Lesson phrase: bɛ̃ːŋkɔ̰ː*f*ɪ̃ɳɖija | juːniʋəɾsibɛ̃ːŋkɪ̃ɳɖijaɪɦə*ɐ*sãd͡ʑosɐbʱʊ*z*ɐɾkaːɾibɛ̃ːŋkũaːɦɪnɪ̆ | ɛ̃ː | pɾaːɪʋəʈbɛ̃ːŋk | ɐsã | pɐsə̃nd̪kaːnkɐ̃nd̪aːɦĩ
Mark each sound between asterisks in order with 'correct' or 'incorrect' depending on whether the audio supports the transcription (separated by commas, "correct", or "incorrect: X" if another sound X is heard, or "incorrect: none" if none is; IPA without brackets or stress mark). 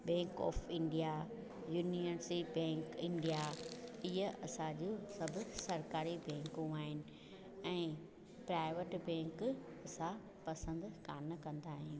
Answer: correct, correct, incorrect: s